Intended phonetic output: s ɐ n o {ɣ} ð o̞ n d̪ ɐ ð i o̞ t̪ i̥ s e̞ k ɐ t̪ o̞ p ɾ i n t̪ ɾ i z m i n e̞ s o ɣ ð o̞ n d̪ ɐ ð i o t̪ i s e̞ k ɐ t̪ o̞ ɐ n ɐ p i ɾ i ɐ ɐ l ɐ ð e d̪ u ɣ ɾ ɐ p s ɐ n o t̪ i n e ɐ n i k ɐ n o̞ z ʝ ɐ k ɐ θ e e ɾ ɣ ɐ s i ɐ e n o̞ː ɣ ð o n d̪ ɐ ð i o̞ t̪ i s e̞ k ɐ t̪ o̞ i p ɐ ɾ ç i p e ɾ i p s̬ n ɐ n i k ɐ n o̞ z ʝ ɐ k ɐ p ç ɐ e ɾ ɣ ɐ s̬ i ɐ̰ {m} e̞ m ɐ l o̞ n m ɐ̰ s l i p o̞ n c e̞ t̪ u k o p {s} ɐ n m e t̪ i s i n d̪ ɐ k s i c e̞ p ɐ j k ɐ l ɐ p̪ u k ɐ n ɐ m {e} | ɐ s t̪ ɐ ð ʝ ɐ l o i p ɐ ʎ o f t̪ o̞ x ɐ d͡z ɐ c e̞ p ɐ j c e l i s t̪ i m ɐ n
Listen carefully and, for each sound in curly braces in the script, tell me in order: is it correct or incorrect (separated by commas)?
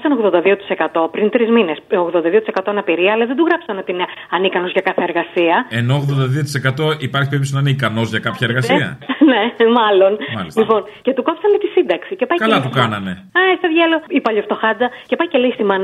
correct, incorrect, correct, correct